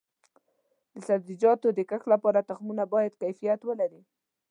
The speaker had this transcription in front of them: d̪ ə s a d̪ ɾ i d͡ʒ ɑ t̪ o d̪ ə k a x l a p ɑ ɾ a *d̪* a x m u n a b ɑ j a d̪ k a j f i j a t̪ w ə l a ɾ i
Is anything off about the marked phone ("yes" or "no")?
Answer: yes